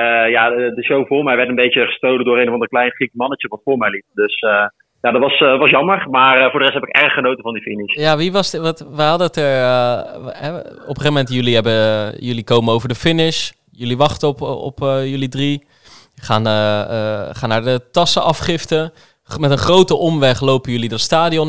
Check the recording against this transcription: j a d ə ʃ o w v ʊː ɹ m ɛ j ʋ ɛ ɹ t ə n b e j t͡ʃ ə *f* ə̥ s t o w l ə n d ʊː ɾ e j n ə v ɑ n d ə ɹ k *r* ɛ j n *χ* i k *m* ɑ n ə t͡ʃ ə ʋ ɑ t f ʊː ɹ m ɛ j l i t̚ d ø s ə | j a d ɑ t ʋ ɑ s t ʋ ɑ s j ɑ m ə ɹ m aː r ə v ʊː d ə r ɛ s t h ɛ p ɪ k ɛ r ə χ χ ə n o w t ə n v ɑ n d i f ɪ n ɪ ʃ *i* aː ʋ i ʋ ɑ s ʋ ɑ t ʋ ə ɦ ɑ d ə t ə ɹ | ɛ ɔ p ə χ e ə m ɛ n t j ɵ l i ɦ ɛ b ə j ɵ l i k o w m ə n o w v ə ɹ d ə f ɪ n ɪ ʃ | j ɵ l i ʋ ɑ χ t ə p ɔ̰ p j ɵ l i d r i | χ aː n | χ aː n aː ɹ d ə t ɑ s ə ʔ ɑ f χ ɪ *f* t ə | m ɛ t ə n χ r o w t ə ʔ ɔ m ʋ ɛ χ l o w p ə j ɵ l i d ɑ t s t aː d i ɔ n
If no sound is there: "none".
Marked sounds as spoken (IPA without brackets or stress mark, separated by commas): χ, l, χ, m, j, f